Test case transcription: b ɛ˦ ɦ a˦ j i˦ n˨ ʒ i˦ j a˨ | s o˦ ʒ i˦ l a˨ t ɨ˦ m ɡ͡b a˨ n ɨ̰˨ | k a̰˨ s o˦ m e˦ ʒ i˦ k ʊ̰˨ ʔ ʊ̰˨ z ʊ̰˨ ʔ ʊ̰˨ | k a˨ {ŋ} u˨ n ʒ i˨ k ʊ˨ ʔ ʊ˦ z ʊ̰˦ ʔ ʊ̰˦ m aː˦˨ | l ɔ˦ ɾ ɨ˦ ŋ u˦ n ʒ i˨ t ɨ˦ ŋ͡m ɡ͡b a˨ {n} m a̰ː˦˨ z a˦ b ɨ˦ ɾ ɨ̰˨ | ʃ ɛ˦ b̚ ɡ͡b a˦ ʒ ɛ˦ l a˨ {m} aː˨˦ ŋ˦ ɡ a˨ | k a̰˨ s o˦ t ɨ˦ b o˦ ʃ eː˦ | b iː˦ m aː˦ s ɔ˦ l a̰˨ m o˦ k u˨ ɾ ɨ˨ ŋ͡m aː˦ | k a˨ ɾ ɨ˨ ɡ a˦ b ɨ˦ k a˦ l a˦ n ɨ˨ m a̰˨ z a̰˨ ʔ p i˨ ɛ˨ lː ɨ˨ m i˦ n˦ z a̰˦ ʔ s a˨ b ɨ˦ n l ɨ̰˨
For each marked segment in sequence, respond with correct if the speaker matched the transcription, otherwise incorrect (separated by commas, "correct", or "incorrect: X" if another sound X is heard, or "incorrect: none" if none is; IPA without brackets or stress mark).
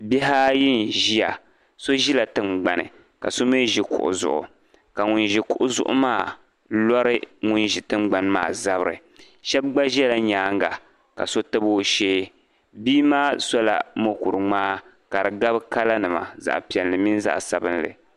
correct, correct, incorrect: ɲ